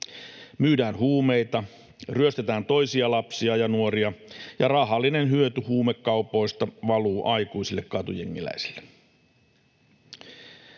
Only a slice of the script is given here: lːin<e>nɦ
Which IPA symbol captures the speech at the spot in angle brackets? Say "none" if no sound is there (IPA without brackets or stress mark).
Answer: e